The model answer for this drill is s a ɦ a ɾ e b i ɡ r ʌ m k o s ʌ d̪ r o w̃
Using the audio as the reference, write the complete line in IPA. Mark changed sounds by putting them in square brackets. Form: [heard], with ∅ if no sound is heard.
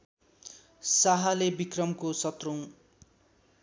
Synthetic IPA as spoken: s a ɦ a [l] e b i [k] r ʌ m k o s ʌ [t̪] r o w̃